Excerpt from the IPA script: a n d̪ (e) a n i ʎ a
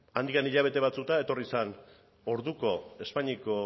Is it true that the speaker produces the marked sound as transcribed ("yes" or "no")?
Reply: no